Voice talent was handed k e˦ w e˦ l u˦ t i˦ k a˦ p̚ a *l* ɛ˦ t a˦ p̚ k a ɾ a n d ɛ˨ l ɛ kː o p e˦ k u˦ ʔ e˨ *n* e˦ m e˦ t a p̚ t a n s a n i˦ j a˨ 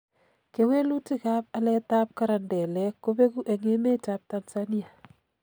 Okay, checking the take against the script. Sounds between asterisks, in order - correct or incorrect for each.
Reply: correct, incorrect: ŋ

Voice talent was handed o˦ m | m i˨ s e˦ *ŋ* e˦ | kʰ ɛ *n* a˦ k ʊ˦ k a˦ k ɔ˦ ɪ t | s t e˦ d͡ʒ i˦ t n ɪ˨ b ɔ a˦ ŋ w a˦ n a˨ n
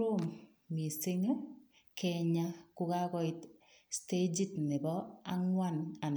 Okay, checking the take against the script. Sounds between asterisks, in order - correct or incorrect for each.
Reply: correct, incorrect: ɲ

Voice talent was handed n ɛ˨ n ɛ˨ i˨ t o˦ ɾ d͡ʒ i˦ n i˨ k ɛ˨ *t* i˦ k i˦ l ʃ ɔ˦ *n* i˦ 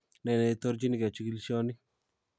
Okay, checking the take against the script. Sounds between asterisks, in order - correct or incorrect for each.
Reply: incorrect: t͡ʃ, correct

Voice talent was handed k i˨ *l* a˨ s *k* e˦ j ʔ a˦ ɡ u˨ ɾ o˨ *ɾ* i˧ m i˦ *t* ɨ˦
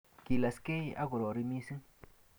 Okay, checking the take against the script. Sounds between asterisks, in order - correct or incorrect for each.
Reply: correct, correct, correct, incorrect: s

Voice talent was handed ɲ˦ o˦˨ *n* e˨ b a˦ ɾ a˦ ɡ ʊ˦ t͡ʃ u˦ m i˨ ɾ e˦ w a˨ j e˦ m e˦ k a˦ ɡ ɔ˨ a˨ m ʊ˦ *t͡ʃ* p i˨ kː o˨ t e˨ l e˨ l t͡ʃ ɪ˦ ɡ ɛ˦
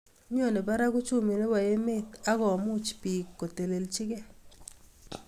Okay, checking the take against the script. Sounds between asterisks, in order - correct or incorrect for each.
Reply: correct, correct

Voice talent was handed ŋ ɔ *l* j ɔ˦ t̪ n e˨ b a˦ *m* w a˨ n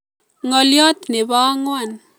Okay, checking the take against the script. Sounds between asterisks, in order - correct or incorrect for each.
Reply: correct, incorrect: ŋ

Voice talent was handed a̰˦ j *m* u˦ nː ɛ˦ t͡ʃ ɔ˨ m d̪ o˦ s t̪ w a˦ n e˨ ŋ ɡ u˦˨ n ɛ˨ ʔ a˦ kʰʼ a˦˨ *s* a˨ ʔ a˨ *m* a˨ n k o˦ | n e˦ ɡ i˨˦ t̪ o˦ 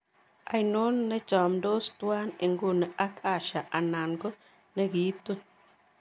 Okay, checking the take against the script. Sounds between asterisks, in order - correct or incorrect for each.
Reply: incorrect: n, incorrect: ʃ, incorrect: n

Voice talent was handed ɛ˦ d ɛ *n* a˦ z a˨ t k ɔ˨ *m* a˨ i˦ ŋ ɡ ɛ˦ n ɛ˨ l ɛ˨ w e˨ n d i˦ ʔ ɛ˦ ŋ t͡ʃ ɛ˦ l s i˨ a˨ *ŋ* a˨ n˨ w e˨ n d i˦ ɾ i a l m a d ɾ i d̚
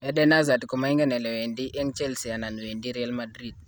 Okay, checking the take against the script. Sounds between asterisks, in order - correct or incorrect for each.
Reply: correct, correct, incorrect: n

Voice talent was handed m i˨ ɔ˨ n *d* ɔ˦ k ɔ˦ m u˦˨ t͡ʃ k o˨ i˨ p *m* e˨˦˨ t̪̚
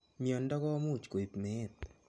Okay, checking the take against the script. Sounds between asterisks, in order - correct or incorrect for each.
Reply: correct, correct

